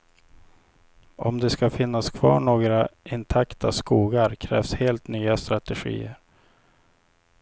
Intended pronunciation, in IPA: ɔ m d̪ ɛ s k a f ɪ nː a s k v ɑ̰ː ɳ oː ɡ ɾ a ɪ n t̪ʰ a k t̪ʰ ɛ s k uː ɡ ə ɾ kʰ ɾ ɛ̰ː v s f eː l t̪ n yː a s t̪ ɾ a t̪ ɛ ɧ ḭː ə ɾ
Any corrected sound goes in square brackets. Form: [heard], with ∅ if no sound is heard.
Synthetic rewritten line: ɔ m d̪ ɛ s k a f ɪ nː a s [kʰ] v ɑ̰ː ɳ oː ɡ ɾ a ɪ n t̪ʰ a k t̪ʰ [a] s k uː ɡ [a] ɾ kʰ ɾ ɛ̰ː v s [h] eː l t̪ n yː a s t̪ ɾ a t̪ ɛ ɧ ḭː ə ɾ